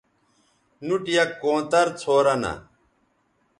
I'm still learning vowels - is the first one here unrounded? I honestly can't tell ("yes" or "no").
no